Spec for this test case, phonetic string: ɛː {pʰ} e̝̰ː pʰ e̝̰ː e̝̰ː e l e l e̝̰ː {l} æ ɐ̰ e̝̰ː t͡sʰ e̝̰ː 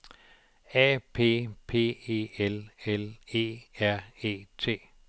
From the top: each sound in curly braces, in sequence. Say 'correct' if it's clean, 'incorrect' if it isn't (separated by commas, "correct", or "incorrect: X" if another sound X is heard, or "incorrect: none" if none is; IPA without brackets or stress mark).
correct, incorrect: none